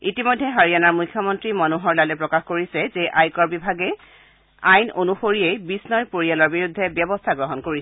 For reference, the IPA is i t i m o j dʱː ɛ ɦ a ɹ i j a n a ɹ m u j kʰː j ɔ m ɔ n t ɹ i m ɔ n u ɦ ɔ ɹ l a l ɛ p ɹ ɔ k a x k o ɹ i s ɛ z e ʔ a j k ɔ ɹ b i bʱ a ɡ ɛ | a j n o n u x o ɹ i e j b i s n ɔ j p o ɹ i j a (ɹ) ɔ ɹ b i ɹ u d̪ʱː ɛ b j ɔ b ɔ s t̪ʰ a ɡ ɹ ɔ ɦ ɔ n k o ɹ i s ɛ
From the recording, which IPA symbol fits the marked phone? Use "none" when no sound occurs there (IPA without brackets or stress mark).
l